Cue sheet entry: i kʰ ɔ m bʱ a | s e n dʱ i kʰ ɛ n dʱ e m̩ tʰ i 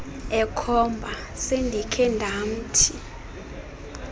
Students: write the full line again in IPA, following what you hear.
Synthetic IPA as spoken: ɛ kʰ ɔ m bʱ a | s e n dʱ i kʰ ɛ n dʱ a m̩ tʰ i